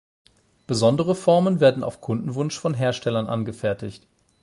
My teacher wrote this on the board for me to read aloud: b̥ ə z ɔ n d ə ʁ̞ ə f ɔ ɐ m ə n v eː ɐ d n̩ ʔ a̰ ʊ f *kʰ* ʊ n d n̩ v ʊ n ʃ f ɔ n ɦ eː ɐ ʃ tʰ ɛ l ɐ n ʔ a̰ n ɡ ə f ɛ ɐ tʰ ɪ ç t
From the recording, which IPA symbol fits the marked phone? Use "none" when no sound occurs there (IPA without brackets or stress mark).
kʰ